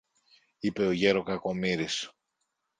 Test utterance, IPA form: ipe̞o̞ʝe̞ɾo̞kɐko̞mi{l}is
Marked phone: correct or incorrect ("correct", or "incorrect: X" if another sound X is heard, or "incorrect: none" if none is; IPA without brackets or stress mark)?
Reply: incorrect: ɾ